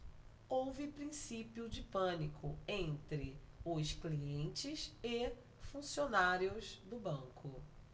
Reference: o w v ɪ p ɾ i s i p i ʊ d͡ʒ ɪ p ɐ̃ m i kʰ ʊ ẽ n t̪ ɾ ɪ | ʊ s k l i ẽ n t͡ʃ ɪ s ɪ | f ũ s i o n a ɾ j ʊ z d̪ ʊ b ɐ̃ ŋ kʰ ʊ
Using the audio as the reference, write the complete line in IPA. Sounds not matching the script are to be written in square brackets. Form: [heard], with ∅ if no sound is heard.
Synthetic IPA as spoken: o w v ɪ p ɾ [ĩ] s i p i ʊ d͡ʒ ɪ p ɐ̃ [n] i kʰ ʊ ẽ n t̪ ɾ ɪ | ʊ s k l i ẽ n t͡ʃ ɪ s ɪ | f ũ s i o n a ɾ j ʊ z d̪ ʊ b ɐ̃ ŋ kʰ ʊ